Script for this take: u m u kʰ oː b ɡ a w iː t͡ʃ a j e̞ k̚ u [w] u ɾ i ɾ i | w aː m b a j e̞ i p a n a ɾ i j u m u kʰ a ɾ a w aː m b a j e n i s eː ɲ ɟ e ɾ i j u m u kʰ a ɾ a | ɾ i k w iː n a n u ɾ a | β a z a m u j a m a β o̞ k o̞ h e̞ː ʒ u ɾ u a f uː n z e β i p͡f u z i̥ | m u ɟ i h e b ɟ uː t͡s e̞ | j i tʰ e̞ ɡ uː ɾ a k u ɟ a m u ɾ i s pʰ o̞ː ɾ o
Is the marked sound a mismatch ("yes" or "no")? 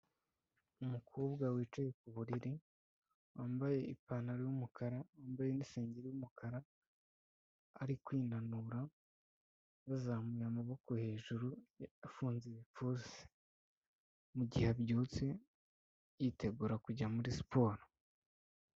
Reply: yes